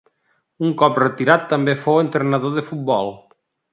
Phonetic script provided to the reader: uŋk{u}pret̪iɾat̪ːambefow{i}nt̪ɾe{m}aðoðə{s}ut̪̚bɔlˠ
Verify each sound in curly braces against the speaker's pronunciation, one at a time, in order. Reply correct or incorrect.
incorrect: ɔ, incorrect: e, incorrect: n, incorrect: f

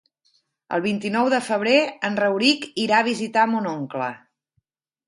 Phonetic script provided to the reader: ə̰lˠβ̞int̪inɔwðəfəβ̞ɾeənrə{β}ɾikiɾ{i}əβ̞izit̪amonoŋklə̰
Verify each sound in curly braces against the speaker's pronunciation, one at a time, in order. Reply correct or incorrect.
incorrect: w, incorrect: a

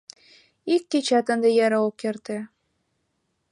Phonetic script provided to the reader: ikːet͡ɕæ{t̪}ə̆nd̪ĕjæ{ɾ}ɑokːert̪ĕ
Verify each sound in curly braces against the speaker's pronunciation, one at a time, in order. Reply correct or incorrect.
correct, correct

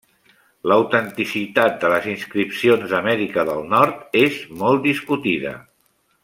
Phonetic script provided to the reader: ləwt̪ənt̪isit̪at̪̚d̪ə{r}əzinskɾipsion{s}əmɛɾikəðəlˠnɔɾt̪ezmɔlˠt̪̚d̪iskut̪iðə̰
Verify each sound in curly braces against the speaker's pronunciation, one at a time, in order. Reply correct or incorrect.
incorrect: l, incorrect: z

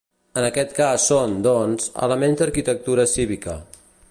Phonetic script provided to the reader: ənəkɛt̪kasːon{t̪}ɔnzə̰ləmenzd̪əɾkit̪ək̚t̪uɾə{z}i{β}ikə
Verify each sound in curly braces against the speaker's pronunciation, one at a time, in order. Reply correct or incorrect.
incorrect: d̪, incorrect: s, correct

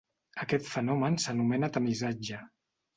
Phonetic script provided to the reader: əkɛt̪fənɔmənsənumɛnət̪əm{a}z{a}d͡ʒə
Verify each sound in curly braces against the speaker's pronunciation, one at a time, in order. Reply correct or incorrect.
incorrect: i, correct

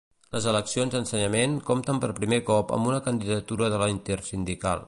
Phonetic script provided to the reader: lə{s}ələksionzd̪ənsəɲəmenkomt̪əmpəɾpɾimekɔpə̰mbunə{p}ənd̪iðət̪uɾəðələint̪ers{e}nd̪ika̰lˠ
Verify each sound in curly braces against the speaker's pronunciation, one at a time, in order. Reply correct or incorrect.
incorrect: z, incorrect: k, incorrect: i

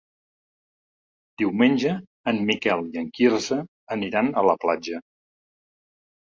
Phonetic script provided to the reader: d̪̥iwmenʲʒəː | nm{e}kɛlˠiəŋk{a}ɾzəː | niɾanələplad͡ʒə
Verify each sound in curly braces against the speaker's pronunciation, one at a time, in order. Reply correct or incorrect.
incorrect: i, incorrect: i

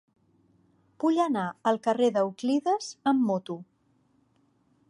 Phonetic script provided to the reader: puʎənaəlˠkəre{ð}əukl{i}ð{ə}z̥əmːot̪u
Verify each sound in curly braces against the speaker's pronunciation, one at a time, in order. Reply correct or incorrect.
correct, correct, correct

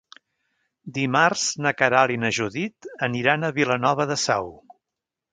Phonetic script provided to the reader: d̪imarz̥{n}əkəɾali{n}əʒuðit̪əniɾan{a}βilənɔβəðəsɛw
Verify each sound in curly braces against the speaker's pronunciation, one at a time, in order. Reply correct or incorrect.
correct, correct, incorrect: ə

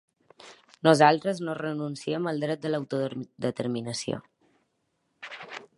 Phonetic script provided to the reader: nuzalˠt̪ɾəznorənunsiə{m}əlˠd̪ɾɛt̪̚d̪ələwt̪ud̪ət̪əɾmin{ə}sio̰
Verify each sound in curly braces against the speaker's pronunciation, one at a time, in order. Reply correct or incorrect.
correct, correct

